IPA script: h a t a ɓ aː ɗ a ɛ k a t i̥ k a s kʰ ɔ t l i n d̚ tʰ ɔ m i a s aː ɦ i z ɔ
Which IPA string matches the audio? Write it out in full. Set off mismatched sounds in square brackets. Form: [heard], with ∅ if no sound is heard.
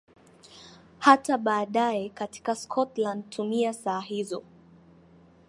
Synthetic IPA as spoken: h a t a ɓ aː ɗ a ɛ k a t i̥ k a s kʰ ɔ t l [a] n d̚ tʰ [u] m i a s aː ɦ i z ɔ